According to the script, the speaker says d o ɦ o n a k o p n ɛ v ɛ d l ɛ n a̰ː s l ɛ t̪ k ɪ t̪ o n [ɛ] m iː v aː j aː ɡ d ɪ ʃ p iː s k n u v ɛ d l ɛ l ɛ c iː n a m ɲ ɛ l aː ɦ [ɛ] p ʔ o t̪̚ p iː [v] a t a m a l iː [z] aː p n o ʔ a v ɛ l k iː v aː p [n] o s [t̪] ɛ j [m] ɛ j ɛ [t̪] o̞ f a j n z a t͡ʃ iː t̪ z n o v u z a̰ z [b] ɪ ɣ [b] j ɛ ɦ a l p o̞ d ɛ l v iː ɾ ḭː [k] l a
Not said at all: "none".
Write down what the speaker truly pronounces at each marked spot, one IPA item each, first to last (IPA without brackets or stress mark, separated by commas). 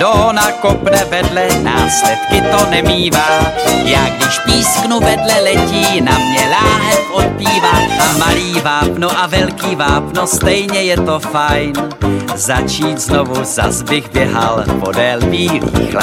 ɛ, ɛ, v, v, n, t̪, ɲ, t̪, b, b, x